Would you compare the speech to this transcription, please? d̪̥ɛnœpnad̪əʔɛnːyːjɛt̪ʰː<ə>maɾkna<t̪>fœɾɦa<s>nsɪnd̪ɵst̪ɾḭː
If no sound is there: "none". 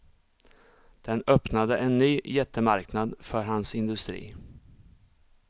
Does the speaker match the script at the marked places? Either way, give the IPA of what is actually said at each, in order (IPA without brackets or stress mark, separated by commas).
ə, d̪, none